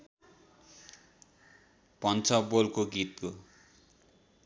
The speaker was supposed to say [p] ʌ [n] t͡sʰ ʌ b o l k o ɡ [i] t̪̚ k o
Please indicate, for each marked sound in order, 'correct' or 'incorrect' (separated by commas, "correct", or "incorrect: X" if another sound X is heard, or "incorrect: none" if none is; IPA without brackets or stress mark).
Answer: correct, correct, correct